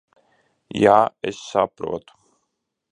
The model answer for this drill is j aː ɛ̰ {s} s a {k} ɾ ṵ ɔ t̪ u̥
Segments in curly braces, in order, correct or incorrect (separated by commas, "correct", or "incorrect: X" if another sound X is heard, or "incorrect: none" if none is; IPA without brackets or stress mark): correct, incorrect: p